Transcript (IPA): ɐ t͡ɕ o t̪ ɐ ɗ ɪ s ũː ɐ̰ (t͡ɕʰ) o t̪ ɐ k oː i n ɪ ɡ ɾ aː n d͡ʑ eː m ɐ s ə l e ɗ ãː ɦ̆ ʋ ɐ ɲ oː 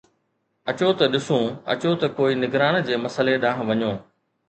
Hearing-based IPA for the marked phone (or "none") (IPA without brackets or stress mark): t͡ɕ